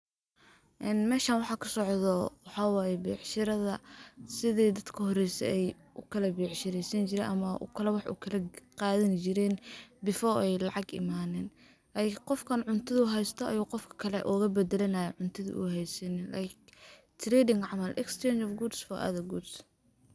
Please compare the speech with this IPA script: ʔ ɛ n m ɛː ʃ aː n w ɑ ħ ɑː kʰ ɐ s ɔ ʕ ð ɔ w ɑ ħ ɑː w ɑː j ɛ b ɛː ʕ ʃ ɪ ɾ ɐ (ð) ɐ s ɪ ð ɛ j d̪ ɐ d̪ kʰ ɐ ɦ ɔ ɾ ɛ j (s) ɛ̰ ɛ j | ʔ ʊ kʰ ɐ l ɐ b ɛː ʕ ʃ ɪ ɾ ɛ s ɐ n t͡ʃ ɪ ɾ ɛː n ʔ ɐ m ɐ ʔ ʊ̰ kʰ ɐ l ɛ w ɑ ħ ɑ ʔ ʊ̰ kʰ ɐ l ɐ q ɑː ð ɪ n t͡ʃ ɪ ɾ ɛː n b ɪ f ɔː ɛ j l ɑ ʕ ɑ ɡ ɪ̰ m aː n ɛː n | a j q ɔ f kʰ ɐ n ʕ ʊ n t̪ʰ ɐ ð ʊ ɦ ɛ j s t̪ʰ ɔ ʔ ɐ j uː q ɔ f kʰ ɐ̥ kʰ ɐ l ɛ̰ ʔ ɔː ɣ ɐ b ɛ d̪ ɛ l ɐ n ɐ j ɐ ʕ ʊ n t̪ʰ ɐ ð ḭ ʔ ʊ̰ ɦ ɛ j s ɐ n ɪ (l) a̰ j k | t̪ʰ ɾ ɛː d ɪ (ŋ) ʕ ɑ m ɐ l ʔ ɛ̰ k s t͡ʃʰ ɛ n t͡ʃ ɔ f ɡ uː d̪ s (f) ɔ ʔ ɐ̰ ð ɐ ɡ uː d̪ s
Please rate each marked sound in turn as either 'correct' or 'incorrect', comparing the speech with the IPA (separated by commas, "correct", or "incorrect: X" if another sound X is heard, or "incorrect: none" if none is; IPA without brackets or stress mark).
correct, correct, correct, correct, correct